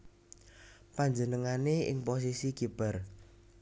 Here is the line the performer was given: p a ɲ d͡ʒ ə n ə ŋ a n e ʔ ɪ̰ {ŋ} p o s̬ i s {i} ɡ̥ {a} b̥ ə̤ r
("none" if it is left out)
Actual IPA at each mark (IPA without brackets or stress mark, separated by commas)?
ŋ, i, i